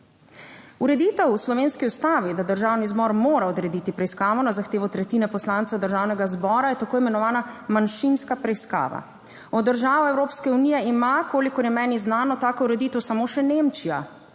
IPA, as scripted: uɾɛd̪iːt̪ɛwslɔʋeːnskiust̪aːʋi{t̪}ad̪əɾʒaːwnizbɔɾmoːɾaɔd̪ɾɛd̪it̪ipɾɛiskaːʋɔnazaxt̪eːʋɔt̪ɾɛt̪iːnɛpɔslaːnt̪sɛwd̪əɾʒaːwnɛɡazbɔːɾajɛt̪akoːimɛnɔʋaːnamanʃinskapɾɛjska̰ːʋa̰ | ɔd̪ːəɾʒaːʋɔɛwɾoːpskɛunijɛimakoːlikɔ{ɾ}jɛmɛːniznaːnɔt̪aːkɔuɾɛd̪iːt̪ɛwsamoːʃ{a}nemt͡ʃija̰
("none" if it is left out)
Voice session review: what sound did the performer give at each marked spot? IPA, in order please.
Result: d̪, ɾ, ɛ

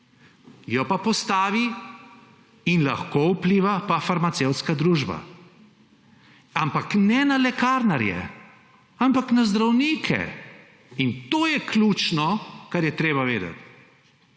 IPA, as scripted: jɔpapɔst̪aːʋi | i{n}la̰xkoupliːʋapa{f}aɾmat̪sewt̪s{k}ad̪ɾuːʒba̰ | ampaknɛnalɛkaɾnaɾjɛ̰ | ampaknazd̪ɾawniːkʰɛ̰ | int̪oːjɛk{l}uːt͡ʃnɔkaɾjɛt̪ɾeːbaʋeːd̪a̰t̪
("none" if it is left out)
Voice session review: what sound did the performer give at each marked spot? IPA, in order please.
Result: n, f, k, l

